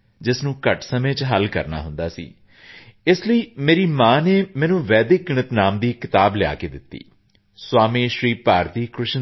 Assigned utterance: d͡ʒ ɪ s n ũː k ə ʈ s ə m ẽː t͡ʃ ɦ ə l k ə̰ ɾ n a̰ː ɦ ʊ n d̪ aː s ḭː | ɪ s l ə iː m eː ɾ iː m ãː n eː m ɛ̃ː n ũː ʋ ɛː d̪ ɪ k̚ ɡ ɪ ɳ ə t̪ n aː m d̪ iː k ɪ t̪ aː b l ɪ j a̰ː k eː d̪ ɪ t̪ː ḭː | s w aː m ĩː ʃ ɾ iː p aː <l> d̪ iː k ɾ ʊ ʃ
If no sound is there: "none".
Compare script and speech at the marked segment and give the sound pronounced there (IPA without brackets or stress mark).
ɾ